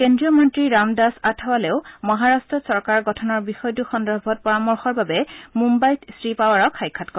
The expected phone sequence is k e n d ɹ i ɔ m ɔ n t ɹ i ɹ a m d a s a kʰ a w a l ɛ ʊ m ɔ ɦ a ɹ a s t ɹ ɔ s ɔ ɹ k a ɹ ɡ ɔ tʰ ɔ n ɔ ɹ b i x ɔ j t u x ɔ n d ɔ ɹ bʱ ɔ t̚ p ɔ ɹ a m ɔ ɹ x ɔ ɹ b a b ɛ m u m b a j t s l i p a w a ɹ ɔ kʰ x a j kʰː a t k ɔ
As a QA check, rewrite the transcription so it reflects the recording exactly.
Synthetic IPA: k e n d ɹ i ɔ m ɔ n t ɹ i ɹ a m d a s a tʰ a w a l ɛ ʊ m ɔ ɦ a ɹ a s t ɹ ɔ s ɔ ɹ k a ɹ ɡ ɔ tʰ ɔ n ɔ ɹ b i x ɔ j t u x ɔ n d ɔ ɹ bʱ ɔ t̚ p ɔ ɹ a m ɔ ɹ x ɔ ɹ b a b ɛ m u m b a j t s ɹ i p a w a ɹ ɔ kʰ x a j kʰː a t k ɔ

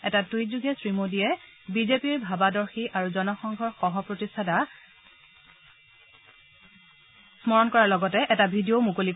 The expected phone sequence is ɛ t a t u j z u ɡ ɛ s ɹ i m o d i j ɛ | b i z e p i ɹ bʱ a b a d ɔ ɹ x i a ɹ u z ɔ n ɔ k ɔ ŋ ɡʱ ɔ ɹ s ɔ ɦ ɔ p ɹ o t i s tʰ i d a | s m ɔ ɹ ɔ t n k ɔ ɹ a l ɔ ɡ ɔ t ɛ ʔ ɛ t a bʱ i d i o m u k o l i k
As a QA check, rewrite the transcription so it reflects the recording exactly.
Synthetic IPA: ɛ t a t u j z u ɡ ɛ s ɹ i m o d i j ɛ | b i z e p i ɹ bʱ a b a d ɔ ɹ x i a ɹ u z ɔ n ɔ x ɔ ŋ ɡʱ ɔ ɹ x ɔ ɦ ɔ p ɹ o t i s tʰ a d a | s m ɔ ɹ ɔ n k ɔ ɹ a l ɔ ɡ ɔ t ɛ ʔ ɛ t a bʱ i d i o m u k o l i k

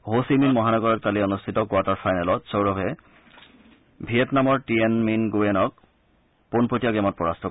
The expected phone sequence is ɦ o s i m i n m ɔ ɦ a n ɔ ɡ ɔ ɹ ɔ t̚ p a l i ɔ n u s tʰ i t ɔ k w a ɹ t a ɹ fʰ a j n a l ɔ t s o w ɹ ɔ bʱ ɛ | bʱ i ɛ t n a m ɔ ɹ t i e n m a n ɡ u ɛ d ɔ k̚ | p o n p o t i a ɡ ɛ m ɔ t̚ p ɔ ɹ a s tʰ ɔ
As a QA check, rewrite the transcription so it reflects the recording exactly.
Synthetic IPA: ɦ o s i m i n m ɔ ɦ a n ɔ ɡ ɔ ɹ ɔ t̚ k a l i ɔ n u s tʰ i t ɔ k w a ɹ t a ɹ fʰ a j n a l ɔ t s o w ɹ ɔ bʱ ɛ | bʱ i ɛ t n a m ɔ ɹ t i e n m i n ɡ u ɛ n ɔ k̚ | p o n p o t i a ɡ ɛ m ɔ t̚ p ɔ ɹ a s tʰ ɔ

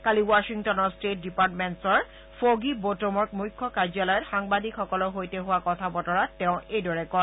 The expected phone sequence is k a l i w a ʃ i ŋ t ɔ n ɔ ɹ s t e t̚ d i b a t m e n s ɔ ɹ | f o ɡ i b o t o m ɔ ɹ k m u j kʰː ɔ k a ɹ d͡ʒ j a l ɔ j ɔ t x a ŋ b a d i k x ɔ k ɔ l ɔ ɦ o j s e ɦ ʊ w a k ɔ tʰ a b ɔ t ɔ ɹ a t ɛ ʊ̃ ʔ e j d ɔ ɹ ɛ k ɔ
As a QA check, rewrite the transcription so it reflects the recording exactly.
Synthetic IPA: k a l i w a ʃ i ŋ t ɔ n ɔ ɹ s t e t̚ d i p a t m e n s ɔ ɹ | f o ɡ i b o t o m ɔ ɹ k m u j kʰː ɔ k a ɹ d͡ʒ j a l ɔ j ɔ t x a ŋ b a d i k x ɔ k ɔ l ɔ ɦ o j t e ɦ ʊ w a k ɔ tʰ a b ɔ t ɔ ɹ a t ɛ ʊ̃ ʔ e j d ɔ ɹ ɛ k ɔ

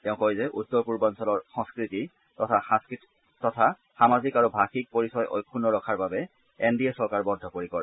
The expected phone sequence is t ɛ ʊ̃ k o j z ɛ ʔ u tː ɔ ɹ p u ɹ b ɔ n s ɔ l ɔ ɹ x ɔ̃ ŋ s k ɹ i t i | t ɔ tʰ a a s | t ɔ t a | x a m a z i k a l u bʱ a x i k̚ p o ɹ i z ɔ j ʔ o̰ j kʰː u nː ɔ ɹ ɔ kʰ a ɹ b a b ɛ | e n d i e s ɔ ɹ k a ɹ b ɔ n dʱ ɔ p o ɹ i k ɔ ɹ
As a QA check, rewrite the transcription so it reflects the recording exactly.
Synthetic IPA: t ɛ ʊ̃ k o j z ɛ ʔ u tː ɔ ɹ p u ɹ b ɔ n s ɔ l ɔ ɹ x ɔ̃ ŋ s k ɹ i t i | t ɔ tʰ a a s | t ɔ tʰ a | x a m a z i k a ɹ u bʱ a x i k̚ p o ɹ i s ɔ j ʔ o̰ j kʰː u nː ɔ ɹ ɔ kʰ a ɹ b a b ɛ | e n d i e s ɔ ɹ k a ɹ b ɔ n dʱ ɔ p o ɹ i k ɔ ɹ

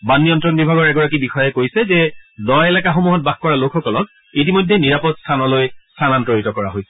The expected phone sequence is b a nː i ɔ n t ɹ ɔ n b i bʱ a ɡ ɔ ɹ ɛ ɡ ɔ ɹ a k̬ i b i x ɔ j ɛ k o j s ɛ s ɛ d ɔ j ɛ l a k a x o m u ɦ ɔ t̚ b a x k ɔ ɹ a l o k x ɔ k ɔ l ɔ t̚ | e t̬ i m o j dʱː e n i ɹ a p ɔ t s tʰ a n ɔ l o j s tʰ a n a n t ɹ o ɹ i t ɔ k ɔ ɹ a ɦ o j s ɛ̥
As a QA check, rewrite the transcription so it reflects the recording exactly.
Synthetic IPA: b a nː i ɔ n t ɹ ɔ n b i bʱ a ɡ ɔ ɹ ɛ ɡ ɔ ɹ a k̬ i b i x ɔ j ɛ k o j s ɛ z ɛ d ɔ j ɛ l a k a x o m u ɦ ɔ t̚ b a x k ɔ ɹ a l o k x ɔ k ɔ l ɔ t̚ | i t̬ i m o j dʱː e n i ɹ a p ɔ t s tʰ a n ɔ l o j s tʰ a n a n t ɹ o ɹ i t ɔ k ɔ ɹ a ɦ o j s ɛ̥

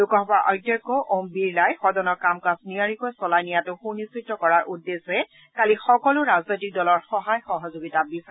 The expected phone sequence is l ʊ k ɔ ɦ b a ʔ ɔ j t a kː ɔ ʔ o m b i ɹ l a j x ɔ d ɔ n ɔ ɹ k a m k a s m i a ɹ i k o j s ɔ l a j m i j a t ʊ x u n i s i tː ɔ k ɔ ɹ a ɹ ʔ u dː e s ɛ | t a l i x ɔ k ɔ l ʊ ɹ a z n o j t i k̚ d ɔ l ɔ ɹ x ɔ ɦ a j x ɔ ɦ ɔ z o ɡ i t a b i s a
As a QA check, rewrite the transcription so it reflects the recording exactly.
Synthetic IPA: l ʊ k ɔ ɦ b a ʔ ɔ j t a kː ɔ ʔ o m b i ɹ l a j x ɔ d ɔ n ɔ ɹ k a m k a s n i a ɹ i k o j s ɔ l a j n i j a t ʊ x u n i s i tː ɔ k ɔ ɹ a ɹ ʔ u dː e s ɛ | k a l i x ɔ k ɔ l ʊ ɹ a z n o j t i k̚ d ɔ l ɔ ɹ x ɔ ɦ a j x ɔ ɦ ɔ z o ɡ i t a b i s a

